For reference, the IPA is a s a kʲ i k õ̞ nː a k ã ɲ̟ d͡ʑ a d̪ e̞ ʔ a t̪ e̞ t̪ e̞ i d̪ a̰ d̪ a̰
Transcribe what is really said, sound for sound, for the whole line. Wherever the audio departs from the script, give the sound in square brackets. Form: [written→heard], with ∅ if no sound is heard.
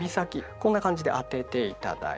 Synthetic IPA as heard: [a→i] s a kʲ i k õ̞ nː a k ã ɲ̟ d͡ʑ [a→i] d̪ e̞ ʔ a t̪ e̞ t̪ e̞ i [d̪→t̪] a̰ d̪ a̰